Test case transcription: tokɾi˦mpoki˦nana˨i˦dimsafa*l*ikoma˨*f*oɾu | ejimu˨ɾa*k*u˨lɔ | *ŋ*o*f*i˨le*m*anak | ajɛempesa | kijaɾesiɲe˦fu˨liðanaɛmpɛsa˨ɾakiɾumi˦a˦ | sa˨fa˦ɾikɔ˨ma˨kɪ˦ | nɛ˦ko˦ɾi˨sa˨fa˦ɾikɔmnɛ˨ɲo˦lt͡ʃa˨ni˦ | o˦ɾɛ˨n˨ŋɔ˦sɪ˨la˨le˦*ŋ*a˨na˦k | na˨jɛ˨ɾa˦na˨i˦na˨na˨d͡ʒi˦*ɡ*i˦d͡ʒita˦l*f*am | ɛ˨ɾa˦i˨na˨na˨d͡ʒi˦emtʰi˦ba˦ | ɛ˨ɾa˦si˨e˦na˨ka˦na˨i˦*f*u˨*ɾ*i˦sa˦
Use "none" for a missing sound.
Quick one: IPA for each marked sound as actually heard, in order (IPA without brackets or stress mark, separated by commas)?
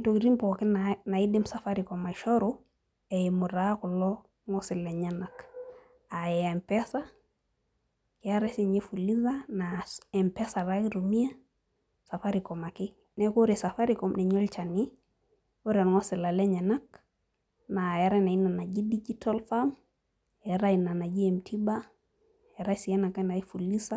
ɾ, ʃ, k, ŋ, s, ɲ, ɲ, d, f, f, l